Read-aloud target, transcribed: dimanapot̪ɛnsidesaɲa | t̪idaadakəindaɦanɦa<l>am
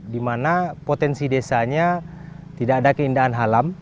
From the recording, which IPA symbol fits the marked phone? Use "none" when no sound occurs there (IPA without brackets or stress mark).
l